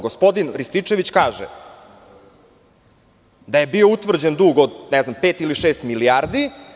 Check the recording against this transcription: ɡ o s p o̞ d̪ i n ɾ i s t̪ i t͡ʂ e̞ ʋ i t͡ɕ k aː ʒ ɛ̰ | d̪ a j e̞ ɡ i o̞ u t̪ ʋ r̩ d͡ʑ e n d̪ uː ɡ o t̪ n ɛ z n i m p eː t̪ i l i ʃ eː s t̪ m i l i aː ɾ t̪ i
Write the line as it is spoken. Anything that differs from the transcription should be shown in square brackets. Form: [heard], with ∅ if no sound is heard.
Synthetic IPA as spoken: ɡ o s p o̞ d̪ i n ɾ i s t̪ i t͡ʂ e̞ ʋ i t͡ɕ k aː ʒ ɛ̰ | d̪ a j e̞ [b] i o̞ u t̪ ʋ r̩ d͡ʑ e n d̪ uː ɡ o [d̪] n ɛ z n [a] m p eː t̪ i l i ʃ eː s t̪ m i l i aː ɾ [d̪] i